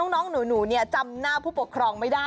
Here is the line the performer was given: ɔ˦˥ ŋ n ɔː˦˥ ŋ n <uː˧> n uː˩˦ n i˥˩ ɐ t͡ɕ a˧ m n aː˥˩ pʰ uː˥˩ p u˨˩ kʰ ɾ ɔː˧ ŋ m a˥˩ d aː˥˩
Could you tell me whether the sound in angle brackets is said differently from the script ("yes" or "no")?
yes